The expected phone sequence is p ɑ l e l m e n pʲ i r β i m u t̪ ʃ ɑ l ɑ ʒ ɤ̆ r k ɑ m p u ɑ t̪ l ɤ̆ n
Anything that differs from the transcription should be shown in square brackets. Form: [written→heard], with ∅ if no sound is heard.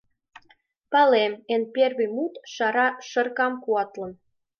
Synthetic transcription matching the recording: p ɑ l e [l→∅] m e n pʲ [i→e] r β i m u t̪ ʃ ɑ [l→ɾ] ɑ [ʒ→ʃ] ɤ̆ r k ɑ m [p→k] u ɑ t̪ l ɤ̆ n